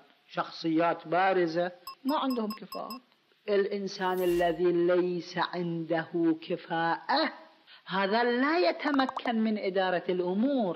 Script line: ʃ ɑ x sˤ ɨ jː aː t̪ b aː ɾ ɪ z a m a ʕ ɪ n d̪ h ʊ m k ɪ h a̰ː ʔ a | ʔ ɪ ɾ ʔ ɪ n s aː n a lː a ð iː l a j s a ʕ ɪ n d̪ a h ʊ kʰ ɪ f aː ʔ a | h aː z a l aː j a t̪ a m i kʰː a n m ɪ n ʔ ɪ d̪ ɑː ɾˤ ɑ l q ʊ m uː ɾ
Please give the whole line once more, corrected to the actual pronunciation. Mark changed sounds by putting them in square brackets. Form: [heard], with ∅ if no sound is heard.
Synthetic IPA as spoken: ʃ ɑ x sˤ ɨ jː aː t̪ b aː ɾ ɪ z a m a ʕ ɪ n d̪ h ʊ m k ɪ [f] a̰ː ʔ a | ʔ ɪ [l] ʔ ɪ n s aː n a lː a ð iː l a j s a ʕ ɪ n d̪ a h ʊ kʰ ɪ f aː ʔ a | h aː [ð] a l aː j a t̪ a m [a] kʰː a n m ɪ n ʔ ɪ d̪ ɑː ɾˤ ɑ l [ʔ] ʊ m uː ɾ